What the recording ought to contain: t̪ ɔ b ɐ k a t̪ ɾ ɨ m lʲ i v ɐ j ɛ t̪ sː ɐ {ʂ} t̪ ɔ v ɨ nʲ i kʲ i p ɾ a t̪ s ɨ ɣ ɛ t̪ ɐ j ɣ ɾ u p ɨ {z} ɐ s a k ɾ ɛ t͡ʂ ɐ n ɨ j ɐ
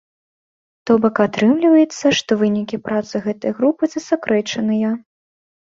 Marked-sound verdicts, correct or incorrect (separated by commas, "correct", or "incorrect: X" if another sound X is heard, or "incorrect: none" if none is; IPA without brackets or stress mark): correct, correct